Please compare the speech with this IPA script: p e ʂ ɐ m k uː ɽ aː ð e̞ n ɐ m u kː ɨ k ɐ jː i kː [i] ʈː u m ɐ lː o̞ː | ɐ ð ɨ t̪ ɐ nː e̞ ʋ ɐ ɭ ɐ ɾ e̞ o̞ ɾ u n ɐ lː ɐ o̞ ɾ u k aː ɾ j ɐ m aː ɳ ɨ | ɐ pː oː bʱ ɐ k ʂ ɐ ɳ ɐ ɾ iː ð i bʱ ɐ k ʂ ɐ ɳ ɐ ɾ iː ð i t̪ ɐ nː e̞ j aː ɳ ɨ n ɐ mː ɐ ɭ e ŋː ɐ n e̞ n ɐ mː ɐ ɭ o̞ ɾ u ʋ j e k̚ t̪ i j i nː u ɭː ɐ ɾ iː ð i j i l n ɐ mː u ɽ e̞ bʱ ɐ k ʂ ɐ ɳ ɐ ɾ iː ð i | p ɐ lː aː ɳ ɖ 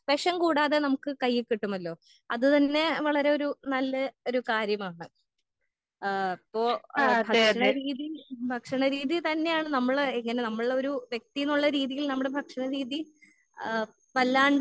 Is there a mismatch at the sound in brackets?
no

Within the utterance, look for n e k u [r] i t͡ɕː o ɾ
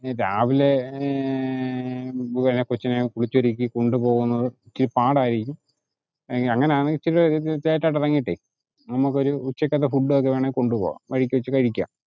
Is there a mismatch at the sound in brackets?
yes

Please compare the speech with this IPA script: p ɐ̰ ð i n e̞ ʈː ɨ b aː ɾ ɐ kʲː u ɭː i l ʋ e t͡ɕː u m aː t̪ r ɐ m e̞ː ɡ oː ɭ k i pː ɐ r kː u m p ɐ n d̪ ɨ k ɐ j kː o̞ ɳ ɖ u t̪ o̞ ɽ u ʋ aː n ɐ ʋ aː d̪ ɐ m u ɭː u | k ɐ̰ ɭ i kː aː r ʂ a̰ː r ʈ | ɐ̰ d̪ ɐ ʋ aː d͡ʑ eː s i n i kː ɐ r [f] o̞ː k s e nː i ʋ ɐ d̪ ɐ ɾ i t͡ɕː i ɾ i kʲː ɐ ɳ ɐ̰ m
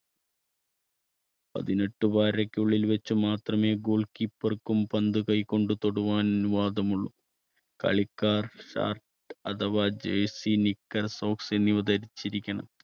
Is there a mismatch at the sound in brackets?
yes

